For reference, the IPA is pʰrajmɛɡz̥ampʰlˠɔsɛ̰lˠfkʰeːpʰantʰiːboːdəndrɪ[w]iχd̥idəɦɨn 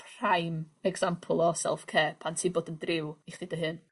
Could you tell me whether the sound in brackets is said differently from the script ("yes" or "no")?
no